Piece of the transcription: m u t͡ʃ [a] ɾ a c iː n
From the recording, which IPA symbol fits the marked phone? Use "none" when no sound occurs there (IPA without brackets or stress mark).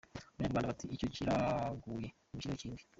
i